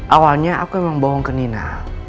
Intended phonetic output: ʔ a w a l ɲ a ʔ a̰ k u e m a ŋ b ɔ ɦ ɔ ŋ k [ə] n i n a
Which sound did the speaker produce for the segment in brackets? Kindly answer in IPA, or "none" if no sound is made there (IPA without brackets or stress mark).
ə